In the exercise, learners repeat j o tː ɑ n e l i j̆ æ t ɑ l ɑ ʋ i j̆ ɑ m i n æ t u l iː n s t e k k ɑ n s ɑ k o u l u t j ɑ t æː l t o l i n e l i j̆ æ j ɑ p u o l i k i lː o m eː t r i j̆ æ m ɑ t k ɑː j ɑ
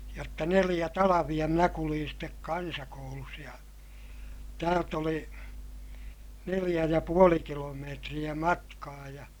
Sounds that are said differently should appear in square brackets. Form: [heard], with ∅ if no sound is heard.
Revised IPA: j o tː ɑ n e l i j̆ æ t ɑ l ɑ ʋ i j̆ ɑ m i n æ [k] u l iː n s t e k k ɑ n s ɑ k o u l u [s] j ɑ t æː l t o l i n e l i j̆ æ j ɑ p u o l i k i [l] o m eː t r i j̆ æ m ɑ t k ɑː j ɑ